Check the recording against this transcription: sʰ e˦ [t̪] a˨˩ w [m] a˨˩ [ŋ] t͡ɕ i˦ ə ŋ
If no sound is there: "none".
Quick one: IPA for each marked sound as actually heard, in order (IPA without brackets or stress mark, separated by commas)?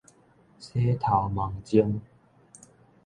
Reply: t̪ʰ, m, ŋ